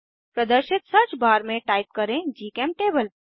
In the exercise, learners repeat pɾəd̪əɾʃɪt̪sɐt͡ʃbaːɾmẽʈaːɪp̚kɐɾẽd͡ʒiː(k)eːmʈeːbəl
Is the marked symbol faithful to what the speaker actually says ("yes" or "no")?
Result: yes